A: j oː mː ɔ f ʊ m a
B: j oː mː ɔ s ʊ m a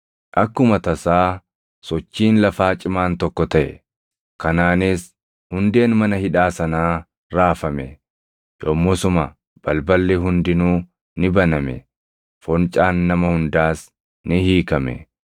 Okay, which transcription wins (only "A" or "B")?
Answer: B